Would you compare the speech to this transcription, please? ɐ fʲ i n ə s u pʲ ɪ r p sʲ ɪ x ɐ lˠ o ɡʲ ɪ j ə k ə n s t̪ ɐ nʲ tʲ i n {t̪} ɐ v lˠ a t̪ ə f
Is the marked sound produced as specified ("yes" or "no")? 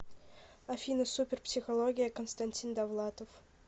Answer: no